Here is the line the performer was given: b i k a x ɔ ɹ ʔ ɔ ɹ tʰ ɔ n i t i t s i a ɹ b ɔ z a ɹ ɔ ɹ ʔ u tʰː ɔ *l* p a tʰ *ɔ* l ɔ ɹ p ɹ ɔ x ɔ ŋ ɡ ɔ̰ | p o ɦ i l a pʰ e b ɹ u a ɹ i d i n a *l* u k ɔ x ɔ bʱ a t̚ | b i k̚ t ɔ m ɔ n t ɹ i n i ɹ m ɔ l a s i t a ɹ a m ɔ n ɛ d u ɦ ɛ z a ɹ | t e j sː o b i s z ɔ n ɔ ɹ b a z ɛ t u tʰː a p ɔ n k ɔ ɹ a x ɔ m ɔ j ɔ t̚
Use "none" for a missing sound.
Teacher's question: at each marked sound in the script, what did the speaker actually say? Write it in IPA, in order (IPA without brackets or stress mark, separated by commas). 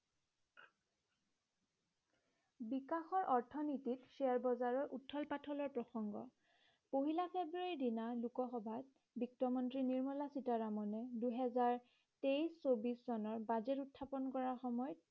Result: l, ɔ, l